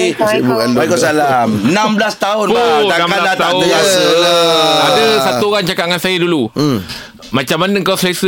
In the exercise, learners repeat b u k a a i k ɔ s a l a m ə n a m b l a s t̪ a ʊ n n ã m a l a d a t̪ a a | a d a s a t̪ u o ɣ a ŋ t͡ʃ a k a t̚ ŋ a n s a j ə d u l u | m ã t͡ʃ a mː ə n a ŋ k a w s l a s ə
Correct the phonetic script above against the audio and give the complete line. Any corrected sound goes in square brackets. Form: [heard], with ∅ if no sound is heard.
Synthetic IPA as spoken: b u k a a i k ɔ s a l a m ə n a m b l a s t̪ a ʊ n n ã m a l a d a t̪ a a | a d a s a t̪ u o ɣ a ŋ t͡ʃ a k a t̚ ŋ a n s a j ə d u l u | m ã t͡ʃ a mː [a] n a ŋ k a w s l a s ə